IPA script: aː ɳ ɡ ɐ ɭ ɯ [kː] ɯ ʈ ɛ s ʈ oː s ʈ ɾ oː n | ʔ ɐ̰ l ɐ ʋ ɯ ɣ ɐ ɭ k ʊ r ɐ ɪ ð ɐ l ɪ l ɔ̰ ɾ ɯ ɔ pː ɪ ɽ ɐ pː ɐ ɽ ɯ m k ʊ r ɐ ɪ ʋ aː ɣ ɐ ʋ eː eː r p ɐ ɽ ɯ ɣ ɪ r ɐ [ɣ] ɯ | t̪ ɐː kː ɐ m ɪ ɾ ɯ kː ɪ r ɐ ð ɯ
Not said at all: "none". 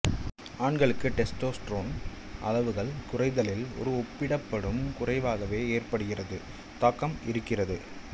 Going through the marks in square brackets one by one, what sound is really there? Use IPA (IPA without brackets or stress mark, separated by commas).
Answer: kː, ð